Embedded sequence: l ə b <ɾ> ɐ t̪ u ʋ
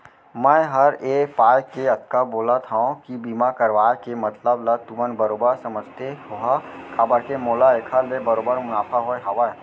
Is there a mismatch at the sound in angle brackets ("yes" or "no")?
yes